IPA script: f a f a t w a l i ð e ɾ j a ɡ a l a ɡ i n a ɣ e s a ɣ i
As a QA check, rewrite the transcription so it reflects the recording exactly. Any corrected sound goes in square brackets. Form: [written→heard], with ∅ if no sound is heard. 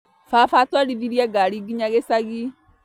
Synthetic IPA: f a f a t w a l i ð [e→i] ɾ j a ɡ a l [a→i] ɡ i [n→ɲ] a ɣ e s a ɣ i